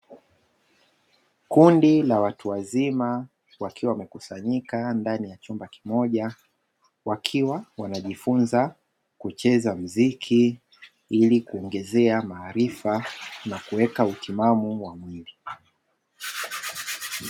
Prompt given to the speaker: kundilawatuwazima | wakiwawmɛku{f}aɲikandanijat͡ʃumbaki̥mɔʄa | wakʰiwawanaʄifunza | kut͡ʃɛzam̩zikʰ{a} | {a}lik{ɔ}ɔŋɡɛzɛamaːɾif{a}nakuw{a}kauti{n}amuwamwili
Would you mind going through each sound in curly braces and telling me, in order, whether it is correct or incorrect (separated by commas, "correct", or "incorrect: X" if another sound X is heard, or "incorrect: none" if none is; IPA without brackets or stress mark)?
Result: incorrect: s, incorrect: i, incorrect: i, incorrect: u, correct, incorrect: ɛ, incorrect: m